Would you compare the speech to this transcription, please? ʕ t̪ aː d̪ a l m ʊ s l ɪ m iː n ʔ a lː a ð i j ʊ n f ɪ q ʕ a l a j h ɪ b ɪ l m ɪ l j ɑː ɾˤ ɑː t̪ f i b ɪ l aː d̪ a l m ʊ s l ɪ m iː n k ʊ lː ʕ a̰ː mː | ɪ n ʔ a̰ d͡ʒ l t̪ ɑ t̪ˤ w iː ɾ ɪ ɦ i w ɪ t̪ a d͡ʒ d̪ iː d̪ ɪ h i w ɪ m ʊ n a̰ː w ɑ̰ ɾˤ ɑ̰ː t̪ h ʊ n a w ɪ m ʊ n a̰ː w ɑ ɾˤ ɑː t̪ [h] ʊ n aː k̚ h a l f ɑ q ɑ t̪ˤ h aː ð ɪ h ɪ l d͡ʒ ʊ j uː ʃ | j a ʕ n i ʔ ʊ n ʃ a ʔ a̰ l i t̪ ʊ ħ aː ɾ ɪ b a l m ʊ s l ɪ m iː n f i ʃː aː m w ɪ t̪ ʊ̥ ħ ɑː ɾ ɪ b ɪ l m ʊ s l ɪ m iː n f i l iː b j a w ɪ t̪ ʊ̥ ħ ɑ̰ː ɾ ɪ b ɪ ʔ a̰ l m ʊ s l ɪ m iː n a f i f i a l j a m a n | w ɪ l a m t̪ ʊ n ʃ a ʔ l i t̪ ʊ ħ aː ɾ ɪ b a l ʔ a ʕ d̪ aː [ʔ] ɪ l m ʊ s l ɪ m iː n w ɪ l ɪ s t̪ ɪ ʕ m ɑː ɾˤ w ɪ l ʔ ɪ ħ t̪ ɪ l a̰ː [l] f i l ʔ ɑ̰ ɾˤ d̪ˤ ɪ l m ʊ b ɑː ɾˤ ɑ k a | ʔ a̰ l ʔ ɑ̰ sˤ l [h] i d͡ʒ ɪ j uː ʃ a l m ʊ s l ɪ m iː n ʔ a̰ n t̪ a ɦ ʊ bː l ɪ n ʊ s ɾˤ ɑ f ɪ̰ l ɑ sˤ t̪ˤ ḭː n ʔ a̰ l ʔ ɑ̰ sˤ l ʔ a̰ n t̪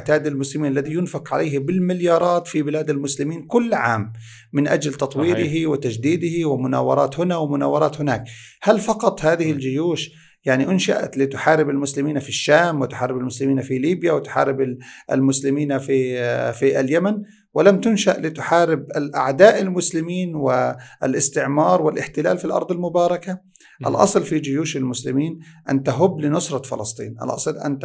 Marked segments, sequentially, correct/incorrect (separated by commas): correct, correct, correct, incorrect